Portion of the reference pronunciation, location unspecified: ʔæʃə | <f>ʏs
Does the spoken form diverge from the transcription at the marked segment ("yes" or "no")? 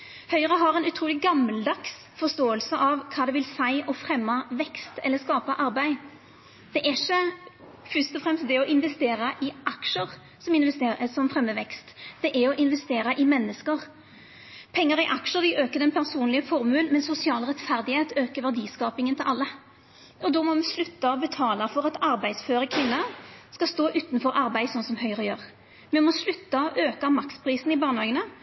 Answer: no